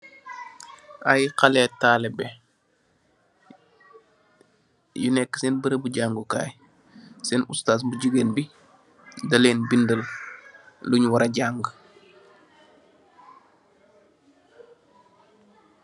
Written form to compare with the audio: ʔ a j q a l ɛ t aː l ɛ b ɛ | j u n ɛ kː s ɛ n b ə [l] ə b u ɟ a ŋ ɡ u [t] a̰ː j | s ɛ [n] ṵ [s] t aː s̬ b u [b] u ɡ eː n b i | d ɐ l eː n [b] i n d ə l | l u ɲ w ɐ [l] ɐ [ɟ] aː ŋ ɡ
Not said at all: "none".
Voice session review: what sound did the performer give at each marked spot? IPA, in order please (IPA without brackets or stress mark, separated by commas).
ɾ, k, n, s, ɟ, b, ɾ, ɟ